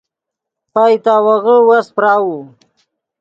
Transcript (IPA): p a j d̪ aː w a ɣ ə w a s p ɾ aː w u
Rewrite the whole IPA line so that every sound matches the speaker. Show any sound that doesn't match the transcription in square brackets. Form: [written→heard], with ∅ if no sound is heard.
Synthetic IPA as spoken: p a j [d̪→t̪] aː w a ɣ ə w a s p ɾ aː w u